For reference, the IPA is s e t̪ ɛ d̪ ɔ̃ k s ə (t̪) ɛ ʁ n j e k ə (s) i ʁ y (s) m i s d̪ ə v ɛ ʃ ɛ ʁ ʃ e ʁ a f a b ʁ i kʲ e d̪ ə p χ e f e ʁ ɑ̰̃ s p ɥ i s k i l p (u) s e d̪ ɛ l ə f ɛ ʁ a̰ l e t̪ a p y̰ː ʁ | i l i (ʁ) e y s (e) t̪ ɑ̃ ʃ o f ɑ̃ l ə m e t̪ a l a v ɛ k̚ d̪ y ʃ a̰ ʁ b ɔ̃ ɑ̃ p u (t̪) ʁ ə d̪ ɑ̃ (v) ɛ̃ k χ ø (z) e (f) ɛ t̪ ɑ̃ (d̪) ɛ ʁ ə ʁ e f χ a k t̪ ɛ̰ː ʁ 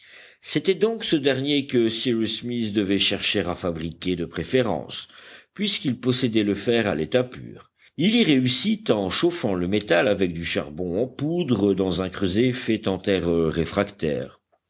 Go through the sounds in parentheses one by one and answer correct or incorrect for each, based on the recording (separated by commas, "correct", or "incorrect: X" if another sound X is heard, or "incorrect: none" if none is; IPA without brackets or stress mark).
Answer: incorrect: d̪, correct, correct, incorrect: ɔ, correct, incorrect: i, incorrect: d̪, incorrect: z, correct, correct, incorrect: t̪